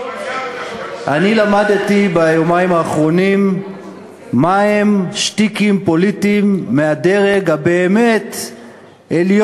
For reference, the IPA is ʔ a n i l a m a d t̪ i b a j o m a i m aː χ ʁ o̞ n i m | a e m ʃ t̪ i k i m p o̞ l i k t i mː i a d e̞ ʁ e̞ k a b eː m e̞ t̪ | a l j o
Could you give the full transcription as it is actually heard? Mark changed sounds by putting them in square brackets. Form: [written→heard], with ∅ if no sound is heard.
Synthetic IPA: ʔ a n i l a m a d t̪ i b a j o m a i m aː χ ʁ o̞ n i m | a e m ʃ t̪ i k i m p o̞ l i [k→∅] t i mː [i→e] a d e̞ ʁ e̞ [k→ɡ] a b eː m e̞ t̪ | [a→e] l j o